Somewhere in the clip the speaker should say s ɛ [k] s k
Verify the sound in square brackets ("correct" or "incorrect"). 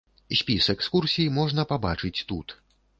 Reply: correct